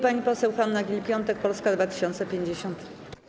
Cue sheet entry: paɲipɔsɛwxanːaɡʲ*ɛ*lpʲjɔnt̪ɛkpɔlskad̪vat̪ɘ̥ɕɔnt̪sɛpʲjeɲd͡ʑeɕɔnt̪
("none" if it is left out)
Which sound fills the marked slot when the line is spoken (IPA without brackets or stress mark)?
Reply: i